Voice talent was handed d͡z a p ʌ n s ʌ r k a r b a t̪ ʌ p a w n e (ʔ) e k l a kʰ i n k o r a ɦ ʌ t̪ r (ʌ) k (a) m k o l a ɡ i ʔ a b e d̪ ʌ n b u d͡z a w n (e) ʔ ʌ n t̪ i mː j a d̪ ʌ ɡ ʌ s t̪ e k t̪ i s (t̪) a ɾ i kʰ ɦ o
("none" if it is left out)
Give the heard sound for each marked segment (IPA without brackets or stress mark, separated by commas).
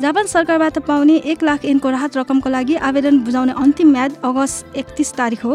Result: ʔ, ʌ, ʌ, e, t̪